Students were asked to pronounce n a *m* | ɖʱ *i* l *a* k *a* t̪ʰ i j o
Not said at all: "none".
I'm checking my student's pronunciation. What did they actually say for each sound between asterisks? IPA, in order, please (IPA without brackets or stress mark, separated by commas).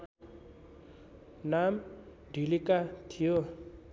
m, i, i, a